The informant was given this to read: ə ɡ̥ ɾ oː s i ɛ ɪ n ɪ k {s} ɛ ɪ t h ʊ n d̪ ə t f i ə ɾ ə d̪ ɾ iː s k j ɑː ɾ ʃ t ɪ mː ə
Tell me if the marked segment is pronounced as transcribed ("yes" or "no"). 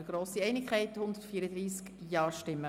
no